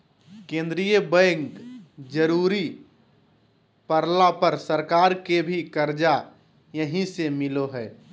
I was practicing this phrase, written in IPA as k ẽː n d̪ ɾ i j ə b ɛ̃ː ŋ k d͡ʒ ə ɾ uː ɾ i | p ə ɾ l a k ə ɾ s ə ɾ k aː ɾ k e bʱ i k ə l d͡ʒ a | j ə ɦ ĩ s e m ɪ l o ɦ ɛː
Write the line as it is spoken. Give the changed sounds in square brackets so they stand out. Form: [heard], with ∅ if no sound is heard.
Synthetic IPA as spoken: k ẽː n d̪ ɾ i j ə b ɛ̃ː ŋ k d͡ʒ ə ɾ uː ɾ i | p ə ɾ l a [p] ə ɾ s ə ɾ k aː ɾ k e bʱ i k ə [ɾ] d͡ʒ a | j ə ɦ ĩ s e m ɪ l o ɦ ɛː